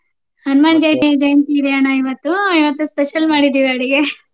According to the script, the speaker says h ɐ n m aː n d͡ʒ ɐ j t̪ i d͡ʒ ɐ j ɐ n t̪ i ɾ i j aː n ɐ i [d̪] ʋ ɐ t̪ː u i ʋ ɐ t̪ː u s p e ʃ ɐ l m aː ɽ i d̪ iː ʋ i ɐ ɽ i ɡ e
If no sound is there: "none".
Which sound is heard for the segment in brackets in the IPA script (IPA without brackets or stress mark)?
none